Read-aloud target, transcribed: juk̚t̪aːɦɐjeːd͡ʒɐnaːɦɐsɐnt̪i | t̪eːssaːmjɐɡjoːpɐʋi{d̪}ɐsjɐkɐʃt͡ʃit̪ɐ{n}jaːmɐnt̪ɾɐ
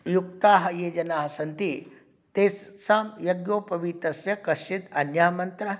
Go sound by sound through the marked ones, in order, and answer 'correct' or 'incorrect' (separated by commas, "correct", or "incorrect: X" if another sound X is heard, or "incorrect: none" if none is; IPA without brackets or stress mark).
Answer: incorrect: t̪, correct